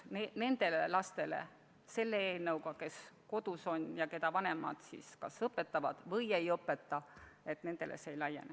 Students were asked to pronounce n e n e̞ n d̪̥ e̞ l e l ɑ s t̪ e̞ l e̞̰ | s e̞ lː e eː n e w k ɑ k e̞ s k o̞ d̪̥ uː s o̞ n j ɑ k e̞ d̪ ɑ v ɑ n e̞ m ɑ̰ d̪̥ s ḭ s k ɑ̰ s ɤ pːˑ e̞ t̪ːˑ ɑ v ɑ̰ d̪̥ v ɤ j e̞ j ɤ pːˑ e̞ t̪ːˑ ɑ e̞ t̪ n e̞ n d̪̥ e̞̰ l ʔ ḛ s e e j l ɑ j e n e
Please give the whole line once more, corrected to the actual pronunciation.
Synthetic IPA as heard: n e n e̞ n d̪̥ e̞ l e l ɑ s t̪ e̞ l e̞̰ | s e̞ lː e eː n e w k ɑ k e̞ s k o̞ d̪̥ u s o̞ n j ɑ k e̞ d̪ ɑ v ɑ n e̞ m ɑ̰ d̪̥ s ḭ s k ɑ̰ s ɤ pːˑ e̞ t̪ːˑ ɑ v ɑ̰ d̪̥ v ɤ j e̞ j ɤ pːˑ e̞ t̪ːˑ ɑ e̞ t̪ n e̞ n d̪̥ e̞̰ l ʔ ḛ s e e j l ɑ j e n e